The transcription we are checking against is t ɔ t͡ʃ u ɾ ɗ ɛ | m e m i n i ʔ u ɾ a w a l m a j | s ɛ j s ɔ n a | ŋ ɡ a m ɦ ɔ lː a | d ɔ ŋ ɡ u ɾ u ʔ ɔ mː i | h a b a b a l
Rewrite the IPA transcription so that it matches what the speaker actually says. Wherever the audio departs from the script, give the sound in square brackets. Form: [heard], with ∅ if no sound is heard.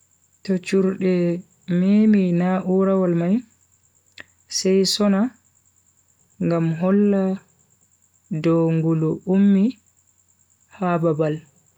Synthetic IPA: t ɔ t͡ʃ u ɾ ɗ ɛ | m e m i n [a] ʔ u ɾ a w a l m a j | s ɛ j s ɔ n a | ŋ ɡ a m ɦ ɔ lː a | d ɔ ŋ ɡ u [l] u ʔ [u] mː i | h a b a b a l